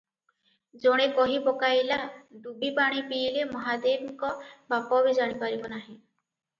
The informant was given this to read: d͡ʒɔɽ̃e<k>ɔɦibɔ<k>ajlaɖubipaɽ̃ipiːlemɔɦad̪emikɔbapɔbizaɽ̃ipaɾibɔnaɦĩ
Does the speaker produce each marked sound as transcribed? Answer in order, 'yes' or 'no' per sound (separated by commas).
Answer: yes, yes